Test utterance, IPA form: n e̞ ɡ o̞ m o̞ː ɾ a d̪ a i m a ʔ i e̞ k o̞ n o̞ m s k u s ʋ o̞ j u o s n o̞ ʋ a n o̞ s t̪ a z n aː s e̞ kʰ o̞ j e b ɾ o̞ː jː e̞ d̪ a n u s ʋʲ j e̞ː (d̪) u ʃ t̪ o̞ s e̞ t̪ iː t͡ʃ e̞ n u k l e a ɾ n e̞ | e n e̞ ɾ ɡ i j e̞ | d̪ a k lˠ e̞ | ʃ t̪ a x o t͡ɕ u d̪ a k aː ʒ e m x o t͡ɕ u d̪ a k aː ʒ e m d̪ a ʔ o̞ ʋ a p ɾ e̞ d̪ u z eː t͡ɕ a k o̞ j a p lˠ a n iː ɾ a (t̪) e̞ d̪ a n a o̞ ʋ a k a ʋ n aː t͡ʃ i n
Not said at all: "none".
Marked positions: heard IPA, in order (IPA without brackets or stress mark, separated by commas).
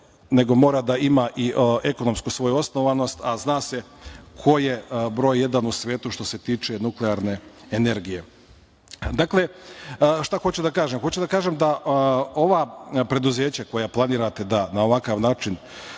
t̪, t̪